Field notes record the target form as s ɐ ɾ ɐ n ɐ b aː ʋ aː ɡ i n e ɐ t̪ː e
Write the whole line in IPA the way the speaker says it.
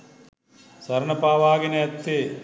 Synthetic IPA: s ɐ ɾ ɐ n ɐ p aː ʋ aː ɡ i n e ɐ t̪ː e